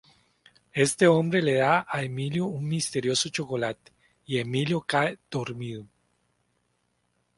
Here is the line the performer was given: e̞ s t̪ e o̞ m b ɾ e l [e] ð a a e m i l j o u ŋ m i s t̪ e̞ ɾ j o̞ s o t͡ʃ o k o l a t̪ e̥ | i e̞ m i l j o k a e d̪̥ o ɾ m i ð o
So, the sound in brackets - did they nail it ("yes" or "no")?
yes